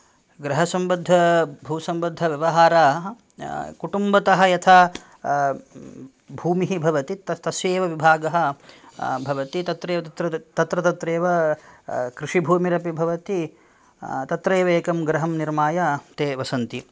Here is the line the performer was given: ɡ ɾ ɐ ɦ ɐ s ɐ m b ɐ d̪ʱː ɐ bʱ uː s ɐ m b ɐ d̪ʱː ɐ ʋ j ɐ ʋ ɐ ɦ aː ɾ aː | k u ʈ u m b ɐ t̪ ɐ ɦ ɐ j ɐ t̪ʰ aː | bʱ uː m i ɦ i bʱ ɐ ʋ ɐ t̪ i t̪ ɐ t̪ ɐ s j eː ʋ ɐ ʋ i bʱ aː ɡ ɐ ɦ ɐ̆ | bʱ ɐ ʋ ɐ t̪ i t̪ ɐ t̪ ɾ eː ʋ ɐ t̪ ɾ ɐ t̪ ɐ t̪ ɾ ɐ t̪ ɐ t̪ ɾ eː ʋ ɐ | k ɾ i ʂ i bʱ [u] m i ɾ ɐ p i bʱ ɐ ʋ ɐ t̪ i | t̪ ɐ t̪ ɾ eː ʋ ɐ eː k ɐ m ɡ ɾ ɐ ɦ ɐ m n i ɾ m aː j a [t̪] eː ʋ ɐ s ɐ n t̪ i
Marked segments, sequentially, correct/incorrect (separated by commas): incorrect, correct